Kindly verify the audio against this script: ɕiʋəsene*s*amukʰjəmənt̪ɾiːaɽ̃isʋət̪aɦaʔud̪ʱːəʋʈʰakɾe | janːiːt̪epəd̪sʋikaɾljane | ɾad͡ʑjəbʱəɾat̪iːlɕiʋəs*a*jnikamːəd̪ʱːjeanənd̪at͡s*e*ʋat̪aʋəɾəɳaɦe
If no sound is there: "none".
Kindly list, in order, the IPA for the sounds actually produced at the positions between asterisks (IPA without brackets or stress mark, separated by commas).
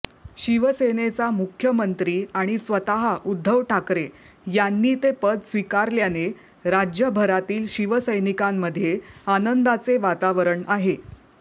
t͡s, ə, e